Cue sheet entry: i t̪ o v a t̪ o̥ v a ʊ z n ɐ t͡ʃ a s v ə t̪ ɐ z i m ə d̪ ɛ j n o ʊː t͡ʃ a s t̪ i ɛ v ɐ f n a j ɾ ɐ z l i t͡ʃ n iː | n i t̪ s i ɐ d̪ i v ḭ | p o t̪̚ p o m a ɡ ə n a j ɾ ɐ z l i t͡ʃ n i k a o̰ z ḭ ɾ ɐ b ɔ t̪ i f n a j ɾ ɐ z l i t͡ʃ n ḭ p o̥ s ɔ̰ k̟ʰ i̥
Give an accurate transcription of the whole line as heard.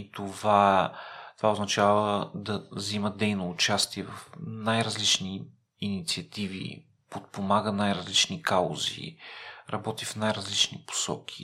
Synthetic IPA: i t̪ o v a t̪ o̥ v a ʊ z n ɐ t͡ʃ a v ə d̪ ɐ z i m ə d̪ ɛ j n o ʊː t͡ʃ a s t̪ i ɛ v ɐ f n a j ɾ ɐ z l i t͡ʃ n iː | n i t̪ s i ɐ t̪ i v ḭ | p o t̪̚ p o m a ɡ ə n a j ɾ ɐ z l i t͡ʃ n i k a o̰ z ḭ ɾ ɐ b ɔ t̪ i f n a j ɾ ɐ z l i t͡ʃ n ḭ p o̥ s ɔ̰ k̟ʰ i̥